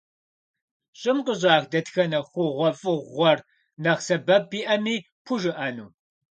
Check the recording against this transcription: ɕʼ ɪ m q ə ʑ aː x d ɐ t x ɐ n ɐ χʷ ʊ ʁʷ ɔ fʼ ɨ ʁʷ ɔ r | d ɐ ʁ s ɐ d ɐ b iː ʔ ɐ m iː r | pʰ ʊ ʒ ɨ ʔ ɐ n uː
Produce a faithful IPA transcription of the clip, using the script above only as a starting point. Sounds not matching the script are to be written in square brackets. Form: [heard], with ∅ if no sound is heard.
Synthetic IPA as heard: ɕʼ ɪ m q ə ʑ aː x d ɐ t x ɐ n ɐ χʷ ʊ ʁʷ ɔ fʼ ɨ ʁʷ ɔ r | [n] ɐ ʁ s ɐ [b] ɐ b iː ʔ ɐ m iː [∅] | pʰ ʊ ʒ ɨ ʔ ɐ n uː